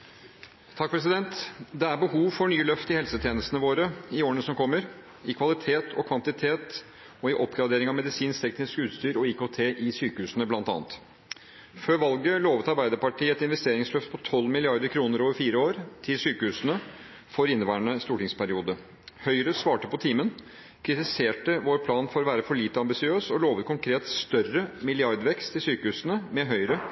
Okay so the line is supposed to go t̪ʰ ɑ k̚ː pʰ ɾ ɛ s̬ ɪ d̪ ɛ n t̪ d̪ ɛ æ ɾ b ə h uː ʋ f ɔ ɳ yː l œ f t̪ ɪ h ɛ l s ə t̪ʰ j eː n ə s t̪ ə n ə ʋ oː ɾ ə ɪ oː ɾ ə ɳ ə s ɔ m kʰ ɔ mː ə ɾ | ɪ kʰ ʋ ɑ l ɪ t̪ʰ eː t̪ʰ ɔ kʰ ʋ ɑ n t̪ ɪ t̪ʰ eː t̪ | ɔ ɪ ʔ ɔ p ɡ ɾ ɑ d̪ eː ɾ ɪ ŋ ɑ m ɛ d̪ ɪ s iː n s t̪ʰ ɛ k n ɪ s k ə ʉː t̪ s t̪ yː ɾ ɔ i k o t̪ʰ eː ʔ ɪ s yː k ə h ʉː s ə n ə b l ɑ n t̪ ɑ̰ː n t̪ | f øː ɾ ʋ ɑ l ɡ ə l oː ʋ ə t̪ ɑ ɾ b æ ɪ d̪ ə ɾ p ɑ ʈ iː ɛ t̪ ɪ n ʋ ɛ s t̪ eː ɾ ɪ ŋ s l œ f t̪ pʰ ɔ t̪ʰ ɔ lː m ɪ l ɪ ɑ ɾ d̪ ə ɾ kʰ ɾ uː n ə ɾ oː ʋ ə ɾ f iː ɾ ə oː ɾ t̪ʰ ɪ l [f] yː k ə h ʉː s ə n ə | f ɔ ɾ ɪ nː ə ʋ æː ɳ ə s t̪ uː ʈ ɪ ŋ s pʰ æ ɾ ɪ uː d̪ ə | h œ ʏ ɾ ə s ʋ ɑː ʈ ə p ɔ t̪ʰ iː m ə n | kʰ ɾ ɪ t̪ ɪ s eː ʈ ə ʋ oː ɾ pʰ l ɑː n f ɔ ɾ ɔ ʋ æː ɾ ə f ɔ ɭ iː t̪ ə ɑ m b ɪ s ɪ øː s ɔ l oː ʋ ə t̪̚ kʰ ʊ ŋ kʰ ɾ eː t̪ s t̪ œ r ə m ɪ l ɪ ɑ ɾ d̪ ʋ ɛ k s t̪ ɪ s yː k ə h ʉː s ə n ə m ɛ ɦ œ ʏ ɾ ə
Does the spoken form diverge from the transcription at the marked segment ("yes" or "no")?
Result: yes